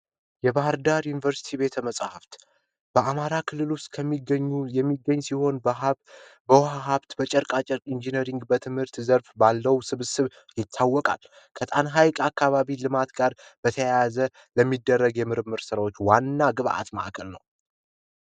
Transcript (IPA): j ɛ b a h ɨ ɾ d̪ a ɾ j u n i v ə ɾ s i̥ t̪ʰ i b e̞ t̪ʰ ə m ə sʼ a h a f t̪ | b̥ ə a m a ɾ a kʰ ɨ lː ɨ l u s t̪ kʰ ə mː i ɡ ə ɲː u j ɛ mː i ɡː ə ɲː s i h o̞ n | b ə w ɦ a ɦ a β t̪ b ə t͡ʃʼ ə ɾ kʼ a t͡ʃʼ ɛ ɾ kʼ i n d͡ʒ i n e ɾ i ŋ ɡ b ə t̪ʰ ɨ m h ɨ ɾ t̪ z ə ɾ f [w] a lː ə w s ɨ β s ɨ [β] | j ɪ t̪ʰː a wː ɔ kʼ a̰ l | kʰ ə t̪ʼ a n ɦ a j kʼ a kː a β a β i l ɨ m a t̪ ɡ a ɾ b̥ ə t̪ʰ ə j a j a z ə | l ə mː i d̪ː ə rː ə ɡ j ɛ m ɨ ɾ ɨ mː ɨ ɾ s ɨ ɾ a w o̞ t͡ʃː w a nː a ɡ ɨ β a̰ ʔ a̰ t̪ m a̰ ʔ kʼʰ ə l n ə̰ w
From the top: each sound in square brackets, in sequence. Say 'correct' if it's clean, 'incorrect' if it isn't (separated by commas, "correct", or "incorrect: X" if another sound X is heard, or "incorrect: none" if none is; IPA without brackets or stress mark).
incorrect: b, correct